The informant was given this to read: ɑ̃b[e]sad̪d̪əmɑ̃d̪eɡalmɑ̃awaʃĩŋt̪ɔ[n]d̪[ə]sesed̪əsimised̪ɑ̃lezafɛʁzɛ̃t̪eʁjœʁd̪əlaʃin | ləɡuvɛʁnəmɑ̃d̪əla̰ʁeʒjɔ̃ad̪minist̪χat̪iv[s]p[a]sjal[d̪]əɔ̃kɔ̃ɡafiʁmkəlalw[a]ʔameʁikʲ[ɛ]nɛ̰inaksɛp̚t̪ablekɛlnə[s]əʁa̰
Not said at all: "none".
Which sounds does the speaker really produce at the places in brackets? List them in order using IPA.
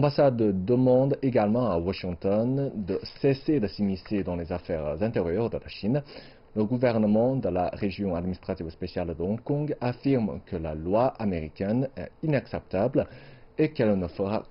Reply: a, n, ə, s, e, d̪, a, ɛ, f

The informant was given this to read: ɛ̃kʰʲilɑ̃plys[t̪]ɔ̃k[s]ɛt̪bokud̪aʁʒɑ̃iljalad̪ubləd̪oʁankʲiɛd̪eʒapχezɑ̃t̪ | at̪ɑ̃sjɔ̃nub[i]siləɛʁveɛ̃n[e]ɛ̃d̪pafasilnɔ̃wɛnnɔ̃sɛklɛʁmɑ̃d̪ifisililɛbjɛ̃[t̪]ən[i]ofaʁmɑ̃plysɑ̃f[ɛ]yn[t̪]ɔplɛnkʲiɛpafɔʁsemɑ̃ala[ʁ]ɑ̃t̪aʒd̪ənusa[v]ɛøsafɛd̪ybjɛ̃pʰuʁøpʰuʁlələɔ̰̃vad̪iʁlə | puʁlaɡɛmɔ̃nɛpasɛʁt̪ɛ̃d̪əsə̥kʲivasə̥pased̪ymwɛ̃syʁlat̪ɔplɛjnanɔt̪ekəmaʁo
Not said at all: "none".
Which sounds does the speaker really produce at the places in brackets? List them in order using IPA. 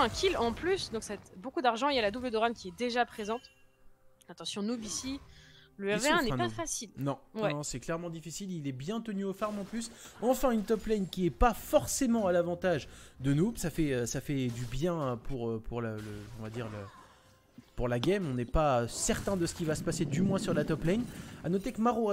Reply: d̪, s, i, ɛ, t̪, y, ɛ̃, t̪, v, f

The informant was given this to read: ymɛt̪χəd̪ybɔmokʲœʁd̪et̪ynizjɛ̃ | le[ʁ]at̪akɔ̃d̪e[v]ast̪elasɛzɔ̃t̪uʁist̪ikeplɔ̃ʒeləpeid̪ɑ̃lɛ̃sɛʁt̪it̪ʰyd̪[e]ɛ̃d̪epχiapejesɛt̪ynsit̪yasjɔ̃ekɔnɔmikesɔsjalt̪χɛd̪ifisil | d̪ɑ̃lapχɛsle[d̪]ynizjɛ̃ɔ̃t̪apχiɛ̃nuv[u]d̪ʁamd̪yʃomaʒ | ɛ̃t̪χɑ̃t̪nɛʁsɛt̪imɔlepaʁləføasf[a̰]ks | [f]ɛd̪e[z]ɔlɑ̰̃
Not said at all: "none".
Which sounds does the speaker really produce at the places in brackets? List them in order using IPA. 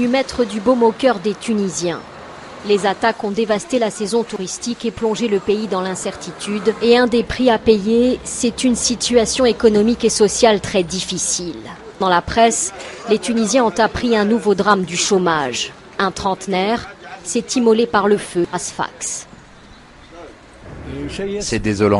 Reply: z, v, e, t̪, o, a̰, s, z

